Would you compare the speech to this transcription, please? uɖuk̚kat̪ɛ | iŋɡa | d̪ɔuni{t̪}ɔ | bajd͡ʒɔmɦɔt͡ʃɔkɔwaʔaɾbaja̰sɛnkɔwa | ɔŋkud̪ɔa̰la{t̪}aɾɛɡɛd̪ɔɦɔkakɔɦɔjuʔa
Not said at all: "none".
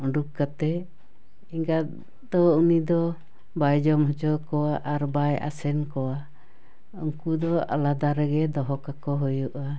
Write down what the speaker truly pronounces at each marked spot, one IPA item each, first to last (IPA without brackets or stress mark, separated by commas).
d̪, d̪